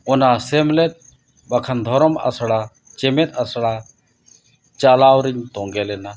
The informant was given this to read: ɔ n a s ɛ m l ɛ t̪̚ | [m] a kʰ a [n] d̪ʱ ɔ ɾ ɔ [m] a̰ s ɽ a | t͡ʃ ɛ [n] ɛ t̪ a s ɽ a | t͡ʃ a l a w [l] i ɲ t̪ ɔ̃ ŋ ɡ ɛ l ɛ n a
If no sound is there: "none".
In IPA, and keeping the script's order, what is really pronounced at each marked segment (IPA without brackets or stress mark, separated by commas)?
b, n, m, m, ɾ